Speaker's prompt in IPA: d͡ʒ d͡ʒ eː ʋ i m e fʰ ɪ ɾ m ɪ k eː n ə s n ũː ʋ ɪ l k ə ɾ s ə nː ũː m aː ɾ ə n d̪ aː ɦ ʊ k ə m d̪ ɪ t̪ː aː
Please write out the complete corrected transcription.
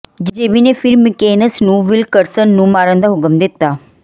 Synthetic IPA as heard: d͡ʒ d͡ʒ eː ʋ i n e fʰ ɪ ɾ m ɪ k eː n ə s n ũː ʋ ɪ l k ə ɾ s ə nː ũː m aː ɾ ə n d̪ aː ɦ ʊ k ə m d̪ ɪ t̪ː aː